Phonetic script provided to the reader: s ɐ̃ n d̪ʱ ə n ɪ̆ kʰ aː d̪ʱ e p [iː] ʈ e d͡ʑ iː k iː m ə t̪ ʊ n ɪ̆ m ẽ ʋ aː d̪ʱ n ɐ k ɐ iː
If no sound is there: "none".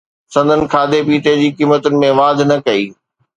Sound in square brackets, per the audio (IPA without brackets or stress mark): iː